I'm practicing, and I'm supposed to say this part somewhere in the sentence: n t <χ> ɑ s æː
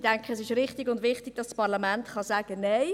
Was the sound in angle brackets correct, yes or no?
yes